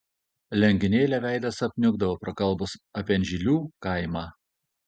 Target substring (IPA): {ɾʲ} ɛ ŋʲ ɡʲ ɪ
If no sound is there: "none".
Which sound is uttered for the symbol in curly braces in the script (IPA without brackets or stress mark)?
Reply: lʲ